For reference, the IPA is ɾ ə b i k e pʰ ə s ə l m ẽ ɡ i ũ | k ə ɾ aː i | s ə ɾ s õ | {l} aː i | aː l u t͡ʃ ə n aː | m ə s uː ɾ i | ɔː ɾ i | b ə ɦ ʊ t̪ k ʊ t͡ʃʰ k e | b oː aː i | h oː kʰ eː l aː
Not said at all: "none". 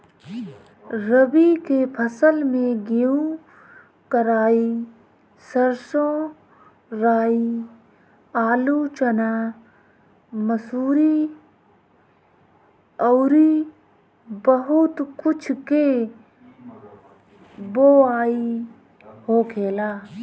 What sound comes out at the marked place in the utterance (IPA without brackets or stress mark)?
ɾ